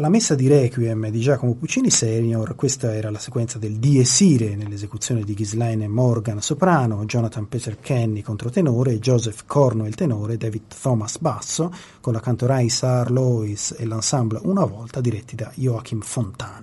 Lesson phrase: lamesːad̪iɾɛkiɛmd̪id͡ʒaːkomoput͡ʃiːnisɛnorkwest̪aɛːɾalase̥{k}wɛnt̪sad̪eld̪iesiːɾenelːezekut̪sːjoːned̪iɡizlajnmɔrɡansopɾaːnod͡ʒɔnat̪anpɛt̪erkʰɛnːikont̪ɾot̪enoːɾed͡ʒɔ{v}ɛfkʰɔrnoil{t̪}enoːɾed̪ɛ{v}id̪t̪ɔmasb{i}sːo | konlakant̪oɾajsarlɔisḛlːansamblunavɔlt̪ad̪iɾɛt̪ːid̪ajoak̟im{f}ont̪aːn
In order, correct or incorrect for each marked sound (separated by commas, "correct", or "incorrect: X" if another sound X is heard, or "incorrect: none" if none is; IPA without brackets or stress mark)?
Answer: correct, incorrect: z, correct, correct, incorrect: a, correct